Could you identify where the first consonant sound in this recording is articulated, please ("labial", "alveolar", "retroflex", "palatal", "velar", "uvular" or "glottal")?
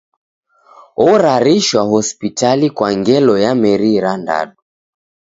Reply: alveolar